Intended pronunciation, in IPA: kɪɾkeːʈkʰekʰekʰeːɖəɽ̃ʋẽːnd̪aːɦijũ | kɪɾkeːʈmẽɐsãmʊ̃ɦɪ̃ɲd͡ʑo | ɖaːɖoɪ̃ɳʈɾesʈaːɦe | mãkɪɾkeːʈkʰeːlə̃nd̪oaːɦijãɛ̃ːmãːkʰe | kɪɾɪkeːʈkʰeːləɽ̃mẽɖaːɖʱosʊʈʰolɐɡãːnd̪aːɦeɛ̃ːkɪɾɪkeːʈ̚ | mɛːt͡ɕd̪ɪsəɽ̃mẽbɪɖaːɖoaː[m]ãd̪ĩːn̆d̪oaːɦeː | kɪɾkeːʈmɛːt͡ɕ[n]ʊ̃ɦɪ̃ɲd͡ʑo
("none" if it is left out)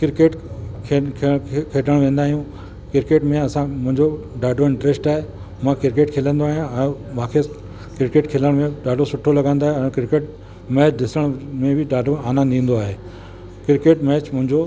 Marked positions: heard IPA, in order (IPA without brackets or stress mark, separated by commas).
n, m